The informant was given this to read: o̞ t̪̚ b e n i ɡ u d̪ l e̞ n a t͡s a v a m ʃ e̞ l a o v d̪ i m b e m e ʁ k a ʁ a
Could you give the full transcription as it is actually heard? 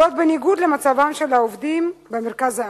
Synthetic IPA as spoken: o̞ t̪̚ b e n i ɡ u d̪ l e̞ m a t͡s a v a m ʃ e̞ l a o v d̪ i m b e m e ʁ k a z a